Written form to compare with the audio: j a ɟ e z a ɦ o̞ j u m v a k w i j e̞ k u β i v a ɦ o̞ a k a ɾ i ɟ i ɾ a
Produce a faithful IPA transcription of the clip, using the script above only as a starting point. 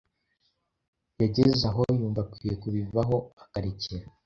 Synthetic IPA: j a ɟ e z a ɦ o̞ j uː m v a k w i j e̞ k u β i v a ɦ o̞ a k a ɾ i c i ɾ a